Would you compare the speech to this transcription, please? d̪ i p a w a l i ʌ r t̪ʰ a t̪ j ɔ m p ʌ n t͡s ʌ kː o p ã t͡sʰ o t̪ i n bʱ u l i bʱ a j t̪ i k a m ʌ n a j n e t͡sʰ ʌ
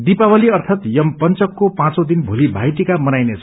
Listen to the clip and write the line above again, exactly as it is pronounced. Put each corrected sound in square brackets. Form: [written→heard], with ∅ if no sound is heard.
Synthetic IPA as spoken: d̪ i p a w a l i ʌ r t̪ʰ a t̪ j [ɔ→ʌ] m p ʌ n t͡s ʌ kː o p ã [t͡sʰ→t͡s] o [t̪→d̪] i n bʱ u l i bʱ a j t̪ i k a m ʌ n a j n e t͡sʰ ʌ